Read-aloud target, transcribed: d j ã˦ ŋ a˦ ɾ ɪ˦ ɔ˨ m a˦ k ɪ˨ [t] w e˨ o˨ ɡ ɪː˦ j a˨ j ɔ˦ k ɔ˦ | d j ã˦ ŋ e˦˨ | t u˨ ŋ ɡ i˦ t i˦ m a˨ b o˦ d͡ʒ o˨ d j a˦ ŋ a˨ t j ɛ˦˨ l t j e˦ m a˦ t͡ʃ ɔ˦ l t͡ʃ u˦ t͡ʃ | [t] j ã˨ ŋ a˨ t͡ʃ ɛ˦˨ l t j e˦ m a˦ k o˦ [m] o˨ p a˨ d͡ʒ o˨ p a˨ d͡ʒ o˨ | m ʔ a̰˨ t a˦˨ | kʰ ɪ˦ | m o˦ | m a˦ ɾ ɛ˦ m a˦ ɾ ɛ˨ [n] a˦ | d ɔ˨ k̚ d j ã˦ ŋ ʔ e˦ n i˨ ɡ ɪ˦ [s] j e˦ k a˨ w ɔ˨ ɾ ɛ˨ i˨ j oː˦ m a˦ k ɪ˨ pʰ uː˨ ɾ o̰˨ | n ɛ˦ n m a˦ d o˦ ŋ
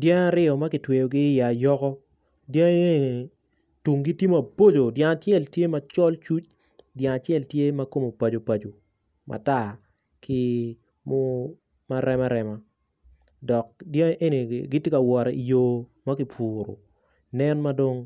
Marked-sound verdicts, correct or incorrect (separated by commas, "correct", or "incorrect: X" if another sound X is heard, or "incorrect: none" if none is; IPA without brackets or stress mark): correct, incorrect: d, correct, incorrect: m, incorrect: t